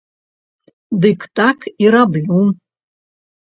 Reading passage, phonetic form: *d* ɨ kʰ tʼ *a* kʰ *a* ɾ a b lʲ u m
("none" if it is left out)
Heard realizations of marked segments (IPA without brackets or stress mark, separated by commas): d, a, i